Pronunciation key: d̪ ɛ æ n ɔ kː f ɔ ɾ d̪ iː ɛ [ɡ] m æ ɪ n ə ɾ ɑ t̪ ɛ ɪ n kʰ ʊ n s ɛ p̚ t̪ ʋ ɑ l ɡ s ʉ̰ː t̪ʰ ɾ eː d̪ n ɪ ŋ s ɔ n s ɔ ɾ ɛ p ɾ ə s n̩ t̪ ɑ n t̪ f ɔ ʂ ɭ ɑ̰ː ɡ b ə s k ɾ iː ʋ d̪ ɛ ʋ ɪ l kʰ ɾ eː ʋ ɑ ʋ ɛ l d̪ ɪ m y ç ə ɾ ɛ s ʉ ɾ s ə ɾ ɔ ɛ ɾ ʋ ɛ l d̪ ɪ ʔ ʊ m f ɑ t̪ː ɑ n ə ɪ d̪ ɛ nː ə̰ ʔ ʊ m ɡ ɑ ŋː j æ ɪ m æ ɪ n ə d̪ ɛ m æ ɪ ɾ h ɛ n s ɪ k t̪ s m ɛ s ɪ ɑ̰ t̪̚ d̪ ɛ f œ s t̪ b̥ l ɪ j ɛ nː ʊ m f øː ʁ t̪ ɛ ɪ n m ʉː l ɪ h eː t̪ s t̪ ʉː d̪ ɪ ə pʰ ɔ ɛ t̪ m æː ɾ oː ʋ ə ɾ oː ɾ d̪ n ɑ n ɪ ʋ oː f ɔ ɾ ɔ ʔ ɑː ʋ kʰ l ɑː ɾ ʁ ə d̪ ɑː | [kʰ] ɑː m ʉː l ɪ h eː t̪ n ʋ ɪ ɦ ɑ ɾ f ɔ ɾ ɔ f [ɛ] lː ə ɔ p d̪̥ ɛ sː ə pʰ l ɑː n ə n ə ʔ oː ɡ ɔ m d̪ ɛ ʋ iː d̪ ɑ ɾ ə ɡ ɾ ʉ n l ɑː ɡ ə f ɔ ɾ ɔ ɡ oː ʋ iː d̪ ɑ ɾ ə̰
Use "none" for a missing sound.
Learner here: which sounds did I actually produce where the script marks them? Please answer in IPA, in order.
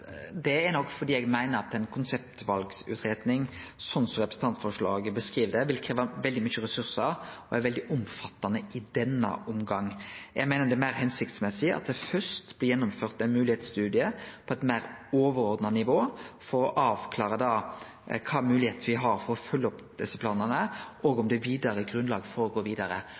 ɡ, kʰ, œ

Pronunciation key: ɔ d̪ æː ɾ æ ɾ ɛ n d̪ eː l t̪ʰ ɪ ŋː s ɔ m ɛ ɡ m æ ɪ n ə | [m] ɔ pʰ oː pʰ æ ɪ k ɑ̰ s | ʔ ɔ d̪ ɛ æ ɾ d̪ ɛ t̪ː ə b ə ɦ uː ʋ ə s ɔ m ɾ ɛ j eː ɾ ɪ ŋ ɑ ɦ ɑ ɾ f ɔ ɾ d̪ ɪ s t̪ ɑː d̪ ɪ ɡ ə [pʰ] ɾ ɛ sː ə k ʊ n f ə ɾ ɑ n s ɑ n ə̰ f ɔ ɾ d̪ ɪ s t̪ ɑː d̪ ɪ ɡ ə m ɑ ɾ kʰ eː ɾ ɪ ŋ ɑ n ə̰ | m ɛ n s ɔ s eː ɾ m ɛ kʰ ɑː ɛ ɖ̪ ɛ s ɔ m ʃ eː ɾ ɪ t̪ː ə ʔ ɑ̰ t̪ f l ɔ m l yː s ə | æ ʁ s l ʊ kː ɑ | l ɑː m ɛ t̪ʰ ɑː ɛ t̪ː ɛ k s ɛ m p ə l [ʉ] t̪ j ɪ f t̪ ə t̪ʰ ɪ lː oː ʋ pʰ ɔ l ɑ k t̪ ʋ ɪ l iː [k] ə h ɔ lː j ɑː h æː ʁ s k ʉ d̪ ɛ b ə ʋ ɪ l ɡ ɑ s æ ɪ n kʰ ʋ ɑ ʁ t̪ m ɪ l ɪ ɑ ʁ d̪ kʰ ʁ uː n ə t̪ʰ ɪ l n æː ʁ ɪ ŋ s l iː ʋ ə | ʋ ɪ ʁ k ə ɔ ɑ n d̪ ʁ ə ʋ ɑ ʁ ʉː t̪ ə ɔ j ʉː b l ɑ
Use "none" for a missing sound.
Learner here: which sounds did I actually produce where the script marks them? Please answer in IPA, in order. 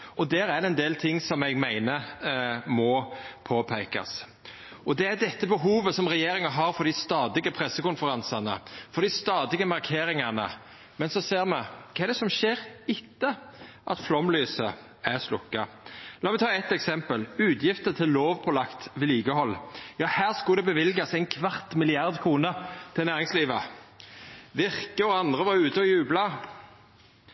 m, pʰ, ʉː, ɡ

